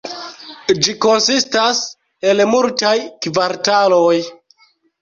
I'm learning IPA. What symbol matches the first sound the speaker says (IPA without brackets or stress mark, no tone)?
d͡ʒ